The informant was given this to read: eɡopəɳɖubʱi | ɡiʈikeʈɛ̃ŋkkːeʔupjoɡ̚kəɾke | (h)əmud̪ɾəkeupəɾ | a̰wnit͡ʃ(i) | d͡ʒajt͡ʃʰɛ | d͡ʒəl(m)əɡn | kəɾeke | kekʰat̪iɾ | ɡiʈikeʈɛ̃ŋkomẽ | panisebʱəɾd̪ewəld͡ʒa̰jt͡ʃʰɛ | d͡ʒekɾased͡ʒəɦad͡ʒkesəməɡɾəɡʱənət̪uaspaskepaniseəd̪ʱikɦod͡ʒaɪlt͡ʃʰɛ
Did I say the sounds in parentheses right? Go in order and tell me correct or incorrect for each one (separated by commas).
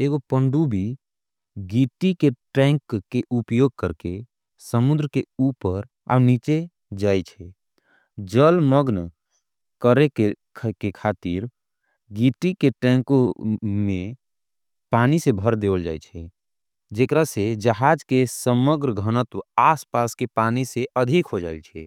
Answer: incorrect, incorrect, correct